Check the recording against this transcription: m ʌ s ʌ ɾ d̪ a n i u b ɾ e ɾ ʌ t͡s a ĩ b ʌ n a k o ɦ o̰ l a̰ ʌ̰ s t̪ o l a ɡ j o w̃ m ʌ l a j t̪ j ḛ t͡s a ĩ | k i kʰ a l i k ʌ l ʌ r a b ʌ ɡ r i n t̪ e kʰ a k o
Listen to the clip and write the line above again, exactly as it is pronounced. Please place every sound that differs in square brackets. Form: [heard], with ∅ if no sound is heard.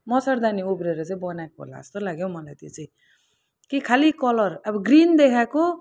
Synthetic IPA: m ʌ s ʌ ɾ d̪ a n i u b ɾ e ɾ ʌ t͡s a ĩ b ʌ n a k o ɦ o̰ l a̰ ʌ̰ s t̪ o l a ɡ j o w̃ m ʌ l a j t̪ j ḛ t͡s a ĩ | k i kʰ a l i k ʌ l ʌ r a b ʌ ɡ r i n [d̪] e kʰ a k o